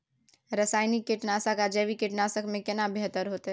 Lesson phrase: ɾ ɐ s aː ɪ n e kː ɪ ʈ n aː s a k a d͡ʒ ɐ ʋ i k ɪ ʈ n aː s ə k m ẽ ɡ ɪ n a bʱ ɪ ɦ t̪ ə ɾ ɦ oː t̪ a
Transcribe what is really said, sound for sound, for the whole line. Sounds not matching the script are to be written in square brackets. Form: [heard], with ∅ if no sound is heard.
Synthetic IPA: ɾ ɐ s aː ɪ n [i] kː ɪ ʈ n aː s a k a d͡ʒ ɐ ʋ i k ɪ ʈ n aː s ə k m ẽ [k] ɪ n a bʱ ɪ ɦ t̪ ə ɾ ɦ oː t̪ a